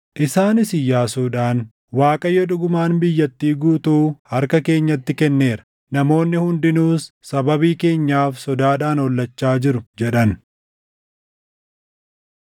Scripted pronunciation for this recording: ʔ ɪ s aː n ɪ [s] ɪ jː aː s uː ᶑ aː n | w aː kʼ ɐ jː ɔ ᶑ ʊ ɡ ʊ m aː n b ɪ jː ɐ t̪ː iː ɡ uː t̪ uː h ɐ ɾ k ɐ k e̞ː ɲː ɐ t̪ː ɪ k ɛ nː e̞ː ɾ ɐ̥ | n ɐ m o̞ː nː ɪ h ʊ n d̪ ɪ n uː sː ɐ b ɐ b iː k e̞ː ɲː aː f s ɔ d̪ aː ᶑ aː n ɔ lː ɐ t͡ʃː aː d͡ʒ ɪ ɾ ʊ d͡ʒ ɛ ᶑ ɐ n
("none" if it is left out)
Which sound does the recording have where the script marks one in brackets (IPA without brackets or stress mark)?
s